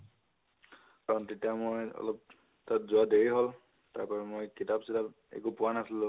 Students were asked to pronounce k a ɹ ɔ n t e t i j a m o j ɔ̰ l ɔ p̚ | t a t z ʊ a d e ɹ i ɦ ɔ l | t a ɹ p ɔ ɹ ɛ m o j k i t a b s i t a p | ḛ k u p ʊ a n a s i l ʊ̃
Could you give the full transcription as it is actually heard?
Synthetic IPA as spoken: k a ɹ ɔ n t e t i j a m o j ɔ̰ l ɔ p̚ | t a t z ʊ a d e ɹ i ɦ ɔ l | t a ɹ p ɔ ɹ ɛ m o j k i t a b s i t a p | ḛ k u p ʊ a n a s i l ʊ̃